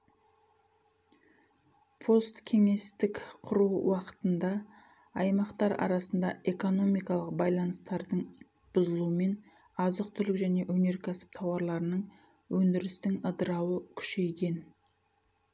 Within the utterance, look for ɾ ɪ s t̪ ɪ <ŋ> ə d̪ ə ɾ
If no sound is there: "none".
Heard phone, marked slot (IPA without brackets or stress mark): ŋ